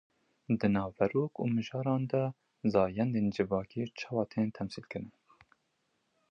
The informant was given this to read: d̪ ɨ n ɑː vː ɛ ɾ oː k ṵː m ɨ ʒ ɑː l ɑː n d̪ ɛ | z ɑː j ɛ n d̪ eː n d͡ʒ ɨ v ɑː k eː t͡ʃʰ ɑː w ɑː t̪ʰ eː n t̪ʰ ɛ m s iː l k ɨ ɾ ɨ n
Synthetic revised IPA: d̪ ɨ n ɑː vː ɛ ɾ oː k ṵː m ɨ ʒ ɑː ɾ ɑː n d̪ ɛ | z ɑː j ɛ n d̪ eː n d͡ʒ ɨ v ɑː k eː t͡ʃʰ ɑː w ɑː t̪ʰ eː n t̪ʰ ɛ m s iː l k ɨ ɾ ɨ n